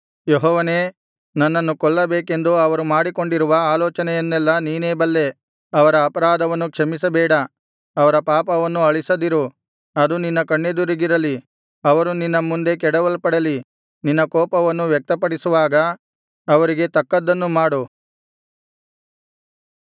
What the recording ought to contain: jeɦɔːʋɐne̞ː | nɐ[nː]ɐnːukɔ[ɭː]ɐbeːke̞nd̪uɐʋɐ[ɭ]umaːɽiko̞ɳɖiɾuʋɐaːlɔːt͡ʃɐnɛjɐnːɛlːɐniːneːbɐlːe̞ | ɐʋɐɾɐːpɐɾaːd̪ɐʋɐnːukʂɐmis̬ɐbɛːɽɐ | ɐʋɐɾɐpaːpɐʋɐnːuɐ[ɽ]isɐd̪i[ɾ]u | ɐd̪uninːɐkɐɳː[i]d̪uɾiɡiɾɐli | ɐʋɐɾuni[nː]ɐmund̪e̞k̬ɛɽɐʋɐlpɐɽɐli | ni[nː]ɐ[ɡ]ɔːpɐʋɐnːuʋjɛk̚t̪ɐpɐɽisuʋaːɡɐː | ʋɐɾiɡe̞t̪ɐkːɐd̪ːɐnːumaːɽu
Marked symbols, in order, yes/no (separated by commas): yes, yes, no, no, yes, no, yes, yes, no